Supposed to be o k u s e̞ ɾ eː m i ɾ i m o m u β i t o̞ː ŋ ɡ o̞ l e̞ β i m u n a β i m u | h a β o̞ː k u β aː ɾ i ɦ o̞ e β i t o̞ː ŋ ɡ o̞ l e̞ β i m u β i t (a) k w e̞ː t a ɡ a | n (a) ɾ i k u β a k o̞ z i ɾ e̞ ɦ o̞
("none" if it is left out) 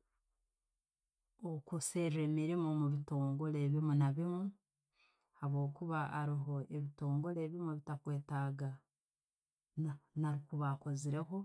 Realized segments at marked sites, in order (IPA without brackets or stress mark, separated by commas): a, a